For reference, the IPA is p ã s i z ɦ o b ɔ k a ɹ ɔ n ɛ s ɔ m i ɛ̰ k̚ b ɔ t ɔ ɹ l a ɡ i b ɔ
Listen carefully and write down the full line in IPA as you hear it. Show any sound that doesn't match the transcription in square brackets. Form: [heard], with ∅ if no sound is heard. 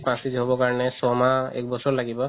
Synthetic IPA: p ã s i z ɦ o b ɔ k a ɹ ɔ n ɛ s ɔ m [a] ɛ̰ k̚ b ɔ [s] ɔ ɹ l a ɡ i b ɔ